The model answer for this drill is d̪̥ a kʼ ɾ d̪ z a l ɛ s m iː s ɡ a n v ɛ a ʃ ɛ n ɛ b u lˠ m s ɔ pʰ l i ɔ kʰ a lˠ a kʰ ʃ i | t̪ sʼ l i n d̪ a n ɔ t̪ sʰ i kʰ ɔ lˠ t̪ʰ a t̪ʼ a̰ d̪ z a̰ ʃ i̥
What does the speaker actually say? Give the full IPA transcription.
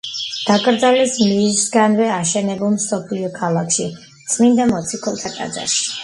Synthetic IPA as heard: d̪̥ a kʼ ɾ d̪ z a l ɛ s m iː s ɡ a n v ɛ a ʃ ɛ n ɛ b u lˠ m s ɔ pʰ l i ɔ kʰ a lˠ a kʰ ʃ i | t̪ sʼ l i n d̪ a m ɔ t̪ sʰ i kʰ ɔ lˠ t̪ʰ a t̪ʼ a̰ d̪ z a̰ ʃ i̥